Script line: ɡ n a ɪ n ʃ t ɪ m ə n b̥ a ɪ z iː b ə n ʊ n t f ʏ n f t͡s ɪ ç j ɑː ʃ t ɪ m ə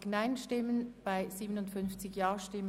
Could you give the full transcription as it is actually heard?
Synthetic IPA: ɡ n a ɪ n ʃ t ɪ m ə n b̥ a ɪ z iː b ə n ʊ n t f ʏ n f t͡s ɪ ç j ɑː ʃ t ɪ m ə

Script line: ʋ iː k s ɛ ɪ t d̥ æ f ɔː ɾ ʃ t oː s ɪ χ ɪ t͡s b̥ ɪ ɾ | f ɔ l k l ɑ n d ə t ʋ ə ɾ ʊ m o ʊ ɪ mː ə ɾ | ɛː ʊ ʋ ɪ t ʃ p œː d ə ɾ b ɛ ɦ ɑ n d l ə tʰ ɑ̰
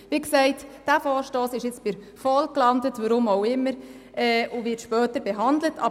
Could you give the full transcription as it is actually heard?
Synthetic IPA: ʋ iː k s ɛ ɪ t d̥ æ f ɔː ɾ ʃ t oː s ɪ ʃ ɪ t͡s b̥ ɪ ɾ | f ɔ l k l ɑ n d ə t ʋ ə ɾ ʊ m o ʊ ɪ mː ə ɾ | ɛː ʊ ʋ ɪ t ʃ p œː t ə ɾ b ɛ ɦ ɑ n d l ə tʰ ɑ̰

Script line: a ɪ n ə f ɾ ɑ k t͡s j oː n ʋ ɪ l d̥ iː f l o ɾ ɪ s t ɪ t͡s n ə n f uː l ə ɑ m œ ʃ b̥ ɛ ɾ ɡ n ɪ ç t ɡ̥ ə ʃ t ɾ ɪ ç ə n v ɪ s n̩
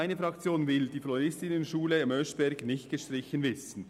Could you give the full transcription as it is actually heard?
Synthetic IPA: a ɪ n ə f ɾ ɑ k t͡s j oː n v ɪ l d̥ iː f l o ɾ ɪ s t ɪ n ə n ʃ uː l ə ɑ m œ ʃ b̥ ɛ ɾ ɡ n ɪ ç t ɡ̥ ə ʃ t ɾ ɪ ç ə n v ɪ s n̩

